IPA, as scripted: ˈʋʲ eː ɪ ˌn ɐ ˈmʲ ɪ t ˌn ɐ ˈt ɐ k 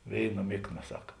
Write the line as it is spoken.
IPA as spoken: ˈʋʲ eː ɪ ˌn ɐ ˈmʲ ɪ k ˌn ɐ ˈs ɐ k